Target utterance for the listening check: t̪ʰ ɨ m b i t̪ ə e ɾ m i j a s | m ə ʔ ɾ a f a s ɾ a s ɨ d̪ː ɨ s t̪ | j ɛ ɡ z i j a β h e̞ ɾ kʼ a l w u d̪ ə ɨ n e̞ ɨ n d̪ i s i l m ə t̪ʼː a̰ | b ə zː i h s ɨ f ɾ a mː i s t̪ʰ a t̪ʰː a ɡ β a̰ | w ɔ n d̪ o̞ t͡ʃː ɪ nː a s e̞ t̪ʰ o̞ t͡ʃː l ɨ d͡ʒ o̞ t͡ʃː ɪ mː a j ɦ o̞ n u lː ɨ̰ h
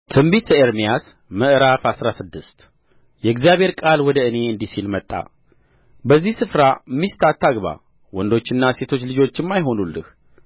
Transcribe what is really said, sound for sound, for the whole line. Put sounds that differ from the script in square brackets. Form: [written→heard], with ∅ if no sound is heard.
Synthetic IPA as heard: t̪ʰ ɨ m b i t̪ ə e ɾ m i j a s | m ə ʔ ɾ a f a s ɾ a s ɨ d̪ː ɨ s t̪ | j ɛ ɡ z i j a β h e̞ ɾ kʼ a l w [u→ɔ] d̪ ə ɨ n e̞ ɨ n d̪ i s i l m ə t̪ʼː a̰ | b ə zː i h s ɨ f ɾ a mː i s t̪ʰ a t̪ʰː a ɡ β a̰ | w ɔ n d̪ o̞ t͡ʃː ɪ nː a s e̞ t̪ʰ o̞ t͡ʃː l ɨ d͡ʒ o̞ t͡ʃː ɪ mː a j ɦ o̞ n u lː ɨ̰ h